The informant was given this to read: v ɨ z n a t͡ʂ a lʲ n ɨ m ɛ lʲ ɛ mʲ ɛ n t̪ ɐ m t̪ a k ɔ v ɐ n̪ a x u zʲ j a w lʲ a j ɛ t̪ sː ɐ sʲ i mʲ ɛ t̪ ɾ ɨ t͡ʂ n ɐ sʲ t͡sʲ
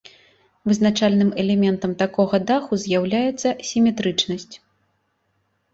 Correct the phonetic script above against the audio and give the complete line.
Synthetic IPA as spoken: v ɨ z n a t͡ʂ a lʲ n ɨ m ɛ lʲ ɛ mʲ ɛ n t̪ ɐ m t̪ a k ɔ ɣ ɐ d̪ a x u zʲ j a w lʲ a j ɛ t̪ sː ɐ sʲ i mʲ ɛ t̪ ɾ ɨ t͡ʂ n ɐ sʲ t͡sʲ

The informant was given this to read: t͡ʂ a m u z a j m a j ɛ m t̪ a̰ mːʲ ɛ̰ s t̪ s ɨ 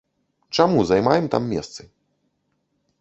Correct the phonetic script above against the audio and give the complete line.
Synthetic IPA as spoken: t͡ʂ a m u z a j m a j ɛ m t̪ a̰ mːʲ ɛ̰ s t̪ s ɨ

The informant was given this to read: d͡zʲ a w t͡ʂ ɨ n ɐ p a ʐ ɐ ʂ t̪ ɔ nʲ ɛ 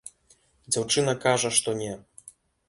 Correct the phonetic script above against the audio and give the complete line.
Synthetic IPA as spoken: d͡zʲ a w t͡ʂ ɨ n ɐ k a ʐ ɐ ʂ t̪ ɔ nʲ ɛ

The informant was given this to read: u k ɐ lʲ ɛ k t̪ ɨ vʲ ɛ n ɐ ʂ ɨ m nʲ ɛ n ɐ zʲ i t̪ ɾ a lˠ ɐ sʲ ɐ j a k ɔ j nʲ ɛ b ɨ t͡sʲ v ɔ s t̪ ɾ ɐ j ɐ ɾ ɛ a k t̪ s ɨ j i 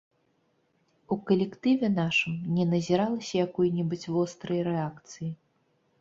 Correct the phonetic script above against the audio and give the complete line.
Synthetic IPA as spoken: u k ɐ lʲ ɛ k t̪ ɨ vʲ ɛ n a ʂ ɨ m nʲ ɛ n ɐ zʲ i ɾ a lˠ ɐ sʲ ɐ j a k ɔ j nʲ ɛ b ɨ t͡sʲ v ɔ s t̪ ɾ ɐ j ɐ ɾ ɛ a k t̪ s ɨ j i

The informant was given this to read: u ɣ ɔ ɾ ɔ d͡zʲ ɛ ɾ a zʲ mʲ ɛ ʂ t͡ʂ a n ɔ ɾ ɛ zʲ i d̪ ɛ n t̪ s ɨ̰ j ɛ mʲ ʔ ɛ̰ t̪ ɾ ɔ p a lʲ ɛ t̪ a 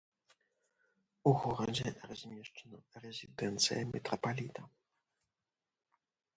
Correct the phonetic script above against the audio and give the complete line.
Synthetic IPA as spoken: u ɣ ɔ ɾ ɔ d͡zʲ ɛ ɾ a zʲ mʲ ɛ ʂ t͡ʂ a n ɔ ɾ ɛ zʲ i d̪ ɛ n t̪ s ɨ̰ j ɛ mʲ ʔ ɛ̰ t̪ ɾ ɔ p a lʲ i t̪ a

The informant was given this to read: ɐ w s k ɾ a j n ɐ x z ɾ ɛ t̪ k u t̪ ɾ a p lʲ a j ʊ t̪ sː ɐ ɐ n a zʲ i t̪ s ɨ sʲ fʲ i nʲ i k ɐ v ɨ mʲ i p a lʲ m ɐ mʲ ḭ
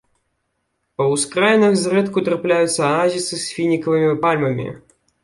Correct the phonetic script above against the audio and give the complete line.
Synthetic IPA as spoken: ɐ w s k ɾ a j n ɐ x z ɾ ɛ t̪ k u t̪ ɾ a p lʲ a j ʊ t̪ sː ɐ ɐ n a zʲ i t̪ s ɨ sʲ fʲ i nʲ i k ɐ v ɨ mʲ i p a lʲ m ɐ mʲ ḭ

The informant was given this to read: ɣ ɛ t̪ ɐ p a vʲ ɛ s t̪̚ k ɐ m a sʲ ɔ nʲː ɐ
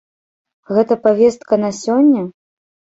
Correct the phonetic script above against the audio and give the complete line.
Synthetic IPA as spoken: ɣ ɛ t̪ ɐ p a vʲ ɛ s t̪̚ k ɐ n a sʲ ɔ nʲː ɐ

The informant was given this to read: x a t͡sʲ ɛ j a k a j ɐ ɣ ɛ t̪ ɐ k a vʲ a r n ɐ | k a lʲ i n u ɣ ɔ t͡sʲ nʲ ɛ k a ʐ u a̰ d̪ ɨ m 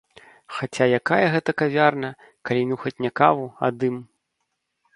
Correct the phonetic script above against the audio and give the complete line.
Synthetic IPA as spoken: x a t͡sʲ a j a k a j ɐ ɣ ɛ t̪ ɐ k a vʲ a r n ɐ | k a lʲ i n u x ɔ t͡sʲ nʲ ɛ k a v u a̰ d̪ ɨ m

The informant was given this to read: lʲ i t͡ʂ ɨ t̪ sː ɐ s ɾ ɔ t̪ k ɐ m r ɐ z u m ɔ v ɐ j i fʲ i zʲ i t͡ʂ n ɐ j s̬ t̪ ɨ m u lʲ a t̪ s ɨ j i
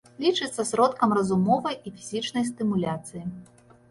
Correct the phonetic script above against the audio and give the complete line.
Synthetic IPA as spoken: lʲ i t͡ʂ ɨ t̪ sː ɐ s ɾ ɔ t̪ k ɐ m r ɐ z u m ɔ v ɐ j i fʲ i zʲ i t͡ʂ n ɐ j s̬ t̪ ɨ m u lʲ a t̪ s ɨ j i

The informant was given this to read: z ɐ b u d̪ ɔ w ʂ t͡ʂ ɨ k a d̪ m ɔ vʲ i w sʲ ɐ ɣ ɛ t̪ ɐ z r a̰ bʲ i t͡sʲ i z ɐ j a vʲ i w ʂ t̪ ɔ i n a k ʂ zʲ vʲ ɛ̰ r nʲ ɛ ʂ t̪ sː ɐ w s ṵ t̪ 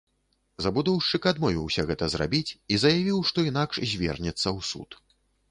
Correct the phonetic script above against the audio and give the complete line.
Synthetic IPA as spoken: z ɐ b u d̪ ɔ w ʂ t͡ʂ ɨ k a d̪ m ɔ vʲ i w sʲ ɐ ɣ ɛ t̪ ɐ z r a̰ bʲ i t͡sʲ i z ɐ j a vʲ i w ʂ t̪ ɔ i n a k ʂ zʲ vʲ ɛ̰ r nʲ ɛ t̪ sː ɐ w s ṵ t̪

